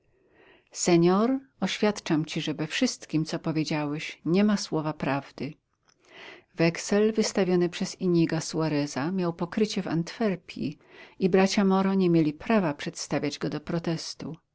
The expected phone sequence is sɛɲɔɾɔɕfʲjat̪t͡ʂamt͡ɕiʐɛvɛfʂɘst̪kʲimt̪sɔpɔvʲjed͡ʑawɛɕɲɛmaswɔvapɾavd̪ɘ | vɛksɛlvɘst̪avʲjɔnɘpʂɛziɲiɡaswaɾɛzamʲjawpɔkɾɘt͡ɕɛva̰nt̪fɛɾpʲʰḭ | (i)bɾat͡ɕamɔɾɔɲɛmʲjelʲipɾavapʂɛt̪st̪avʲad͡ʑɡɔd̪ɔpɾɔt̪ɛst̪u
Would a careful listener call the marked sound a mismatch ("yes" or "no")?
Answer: no